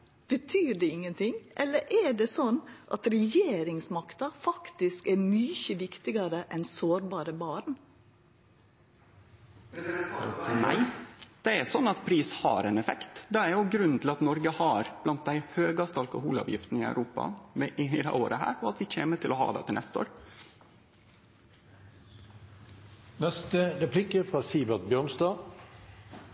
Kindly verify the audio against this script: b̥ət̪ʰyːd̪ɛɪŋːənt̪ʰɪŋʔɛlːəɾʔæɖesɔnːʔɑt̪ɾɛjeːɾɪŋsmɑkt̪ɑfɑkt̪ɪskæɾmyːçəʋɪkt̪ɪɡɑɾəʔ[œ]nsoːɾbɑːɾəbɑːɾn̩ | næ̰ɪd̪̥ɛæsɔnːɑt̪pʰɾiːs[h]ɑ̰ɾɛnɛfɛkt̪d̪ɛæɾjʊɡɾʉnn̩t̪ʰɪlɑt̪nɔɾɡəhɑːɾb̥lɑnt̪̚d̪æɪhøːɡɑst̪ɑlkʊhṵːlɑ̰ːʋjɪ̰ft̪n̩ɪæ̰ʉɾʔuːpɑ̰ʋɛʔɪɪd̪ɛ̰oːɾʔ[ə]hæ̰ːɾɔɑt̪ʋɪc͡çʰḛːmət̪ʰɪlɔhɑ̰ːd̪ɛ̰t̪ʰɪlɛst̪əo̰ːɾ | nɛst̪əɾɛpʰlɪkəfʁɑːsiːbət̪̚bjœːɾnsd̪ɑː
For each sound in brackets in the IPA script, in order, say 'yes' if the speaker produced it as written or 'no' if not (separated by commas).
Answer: no, yes, yes